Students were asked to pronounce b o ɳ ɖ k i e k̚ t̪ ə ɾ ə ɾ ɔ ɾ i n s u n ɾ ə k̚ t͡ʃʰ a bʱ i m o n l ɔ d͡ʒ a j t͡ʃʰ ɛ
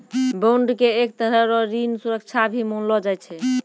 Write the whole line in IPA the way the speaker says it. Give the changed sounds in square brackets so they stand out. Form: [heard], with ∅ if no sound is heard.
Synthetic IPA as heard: b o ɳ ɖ k [e] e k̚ t̪ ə ɾ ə ɾ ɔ ɾ i n s u [∅] ɾ ə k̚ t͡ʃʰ a bʱ i m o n l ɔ d͡ʒ a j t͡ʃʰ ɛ